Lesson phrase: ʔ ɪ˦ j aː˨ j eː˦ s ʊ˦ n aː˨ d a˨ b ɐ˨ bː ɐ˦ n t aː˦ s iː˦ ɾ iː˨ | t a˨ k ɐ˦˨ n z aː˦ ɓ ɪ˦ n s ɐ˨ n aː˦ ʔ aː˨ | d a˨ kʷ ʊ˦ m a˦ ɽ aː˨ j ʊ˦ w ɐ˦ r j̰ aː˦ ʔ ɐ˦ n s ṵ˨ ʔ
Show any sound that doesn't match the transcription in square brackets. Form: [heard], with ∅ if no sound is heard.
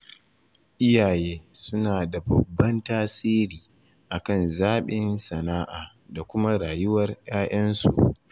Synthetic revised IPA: ʔ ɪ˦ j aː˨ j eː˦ s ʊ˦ n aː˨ d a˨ b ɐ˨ bː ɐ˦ n t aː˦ s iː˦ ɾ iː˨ | [ʔ] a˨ k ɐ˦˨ n z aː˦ ɓ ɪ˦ n s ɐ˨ n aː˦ ʔ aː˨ | d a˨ kʷ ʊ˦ m a˦ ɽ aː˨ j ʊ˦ w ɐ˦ r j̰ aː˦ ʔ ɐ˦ n s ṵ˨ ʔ